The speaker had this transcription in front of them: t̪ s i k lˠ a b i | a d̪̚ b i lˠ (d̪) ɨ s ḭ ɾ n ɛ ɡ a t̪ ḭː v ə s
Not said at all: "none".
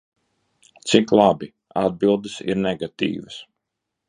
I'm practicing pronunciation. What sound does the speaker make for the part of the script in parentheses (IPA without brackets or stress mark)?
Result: d̪